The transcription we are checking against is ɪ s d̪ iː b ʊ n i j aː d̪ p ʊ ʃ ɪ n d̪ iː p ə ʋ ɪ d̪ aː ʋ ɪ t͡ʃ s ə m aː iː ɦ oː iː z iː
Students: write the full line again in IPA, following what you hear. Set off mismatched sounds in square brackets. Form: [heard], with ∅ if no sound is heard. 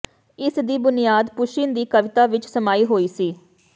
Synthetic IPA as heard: ɪ s d̪ iː b ʊ n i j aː d̪ p ʊ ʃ ɪ n d̪ iː [k] ə ʋ ɪ [t̪] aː ʋ ɪ t͡ʃ s ə m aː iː ɦ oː iː [s] iː